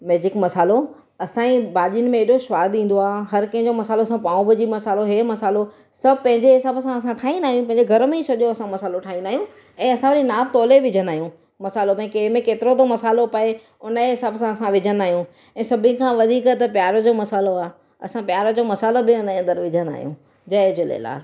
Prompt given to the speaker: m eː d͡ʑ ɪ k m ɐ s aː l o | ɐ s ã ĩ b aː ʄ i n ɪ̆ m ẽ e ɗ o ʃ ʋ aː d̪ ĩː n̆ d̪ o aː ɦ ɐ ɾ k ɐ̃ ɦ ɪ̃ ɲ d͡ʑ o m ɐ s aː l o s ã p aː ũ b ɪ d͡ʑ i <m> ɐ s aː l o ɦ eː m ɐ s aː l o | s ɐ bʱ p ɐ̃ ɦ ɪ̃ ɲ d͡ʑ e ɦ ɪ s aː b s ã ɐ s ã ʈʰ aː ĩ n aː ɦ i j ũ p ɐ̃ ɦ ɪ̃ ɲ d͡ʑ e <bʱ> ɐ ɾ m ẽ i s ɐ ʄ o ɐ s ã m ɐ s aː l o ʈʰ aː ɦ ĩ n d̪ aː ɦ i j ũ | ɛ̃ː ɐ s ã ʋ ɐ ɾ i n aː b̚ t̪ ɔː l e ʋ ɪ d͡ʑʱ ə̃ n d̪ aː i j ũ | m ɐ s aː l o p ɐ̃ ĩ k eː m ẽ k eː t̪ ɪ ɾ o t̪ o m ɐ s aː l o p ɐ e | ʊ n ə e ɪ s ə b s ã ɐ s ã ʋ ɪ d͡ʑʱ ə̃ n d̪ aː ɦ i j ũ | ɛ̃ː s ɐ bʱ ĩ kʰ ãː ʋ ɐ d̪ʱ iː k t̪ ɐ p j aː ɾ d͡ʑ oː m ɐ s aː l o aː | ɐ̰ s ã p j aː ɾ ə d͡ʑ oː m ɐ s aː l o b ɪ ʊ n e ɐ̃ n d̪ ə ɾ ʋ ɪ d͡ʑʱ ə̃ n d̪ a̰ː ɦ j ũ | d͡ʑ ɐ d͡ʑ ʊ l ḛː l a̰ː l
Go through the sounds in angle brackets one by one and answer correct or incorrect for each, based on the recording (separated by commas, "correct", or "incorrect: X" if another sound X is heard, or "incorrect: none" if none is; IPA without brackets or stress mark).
correct, incorrect: ɡʱ